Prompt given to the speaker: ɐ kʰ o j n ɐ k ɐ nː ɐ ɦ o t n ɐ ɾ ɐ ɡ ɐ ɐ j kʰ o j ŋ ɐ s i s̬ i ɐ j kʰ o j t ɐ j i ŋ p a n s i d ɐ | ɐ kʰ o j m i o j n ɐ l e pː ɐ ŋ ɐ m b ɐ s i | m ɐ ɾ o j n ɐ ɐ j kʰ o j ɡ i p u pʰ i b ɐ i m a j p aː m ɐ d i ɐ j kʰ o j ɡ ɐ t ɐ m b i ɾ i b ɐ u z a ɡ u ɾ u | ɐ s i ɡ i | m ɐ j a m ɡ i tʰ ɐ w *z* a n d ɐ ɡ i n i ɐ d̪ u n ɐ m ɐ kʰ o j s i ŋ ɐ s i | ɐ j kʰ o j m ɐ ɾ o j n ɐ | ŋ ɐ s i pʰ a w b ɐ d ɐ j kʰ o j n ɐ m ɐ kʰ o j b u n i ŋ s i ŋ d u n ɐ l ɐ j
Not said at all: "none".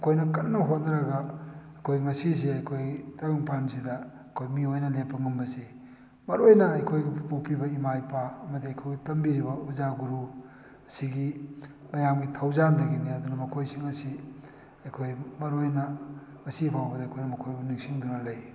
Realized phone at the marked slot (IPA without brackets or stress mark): z